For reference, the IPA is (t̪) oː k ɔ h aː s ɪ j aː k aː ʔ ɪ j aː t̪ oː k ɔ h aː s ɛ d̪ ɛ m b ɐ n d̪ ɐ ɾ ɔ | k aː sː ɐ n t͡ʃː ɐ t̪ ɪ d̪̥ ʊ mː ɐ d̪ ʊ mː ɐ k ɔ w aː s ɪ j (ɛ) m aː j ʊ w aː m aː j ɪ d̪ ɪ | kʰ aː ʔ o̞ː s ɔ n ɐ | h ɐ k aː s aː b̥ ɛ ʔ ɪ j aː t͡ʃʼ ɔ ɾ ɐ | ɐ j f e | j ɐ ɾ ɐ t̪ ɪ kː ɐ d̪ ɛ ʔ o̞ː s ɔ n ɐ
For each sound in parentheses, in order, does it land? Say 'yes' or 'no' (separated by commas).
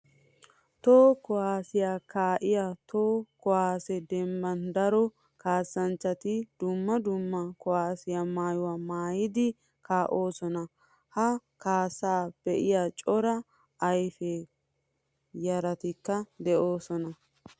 yes, no